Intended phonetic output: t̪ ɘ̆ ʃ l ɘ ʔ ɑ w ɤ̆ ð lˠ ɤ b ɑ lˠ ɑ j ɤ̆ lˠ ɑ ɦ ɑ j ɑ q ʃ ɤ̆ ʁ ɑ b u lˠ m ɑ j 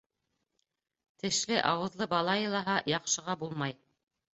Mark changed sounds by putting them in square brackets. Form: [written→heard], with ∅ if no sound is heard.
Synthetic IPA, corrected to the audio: t̪ ɘ̆ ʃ l ɘ ʔ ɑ w ɤ̆ ð lˠ ɤ b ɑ lˠ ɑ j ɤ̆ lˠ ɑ ɦ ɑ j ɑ q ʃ ɤ̆ ʁ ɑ b u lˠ m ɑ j